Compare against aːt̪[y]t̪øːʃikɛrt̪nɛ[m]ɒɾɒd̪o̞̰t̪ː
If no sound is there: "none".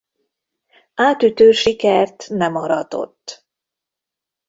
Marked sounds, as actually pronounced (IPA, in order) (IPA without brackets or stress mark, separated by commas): y, m